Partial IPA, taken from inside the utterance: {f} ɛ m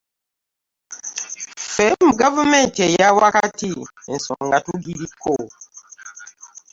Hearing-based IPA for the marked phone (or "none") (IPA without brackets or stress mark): f